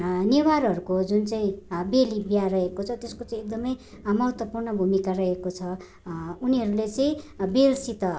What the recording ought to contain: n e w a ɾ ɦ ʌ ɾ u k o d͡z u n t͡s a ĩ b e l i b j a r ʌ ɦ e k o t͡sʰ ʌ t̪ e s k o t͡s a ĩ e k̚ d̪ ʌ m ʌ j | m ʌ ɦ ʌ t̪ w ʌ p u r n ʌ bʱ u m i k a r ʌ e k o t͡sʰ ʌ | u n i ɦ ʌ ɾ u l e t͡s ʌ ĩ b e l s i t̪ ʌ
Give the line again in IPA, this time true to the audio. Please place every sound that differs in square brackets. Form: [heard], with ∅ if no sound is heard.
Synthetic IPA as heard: n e w a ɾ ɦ ʌ ɾ u k o d͡z u n t͡s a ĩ b e l i b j a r ʌ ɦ e k o t͡sʰ ʌ t̪ e s k o t͡s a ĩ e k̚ d̪ ʌ m ʌ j | m ʌ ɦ ʌ t̪ w ʌ p u r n ʌ bʱ u m i k a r ʌ e k o t͡sʰ ʌ | u n i ɦ ʌ ɾ u l e t͡s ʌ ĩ b e l s i t̪ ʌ